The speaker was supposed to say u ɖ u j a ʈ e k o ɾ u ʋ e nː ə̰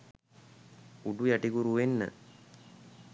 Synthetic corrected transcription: u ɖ u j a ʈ i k u ɾ u ʋ e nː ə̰